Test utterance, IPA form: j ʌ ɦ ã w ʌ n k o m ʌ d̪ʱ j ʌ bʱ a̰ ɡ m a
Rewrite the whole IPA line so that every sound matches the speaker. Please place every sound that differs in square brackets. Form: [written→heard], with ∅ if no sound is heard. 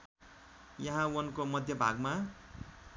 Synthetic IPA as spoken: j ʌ ɦ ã w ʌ n k o m ʌ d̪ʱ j ʌ bʱ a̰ ɡ m a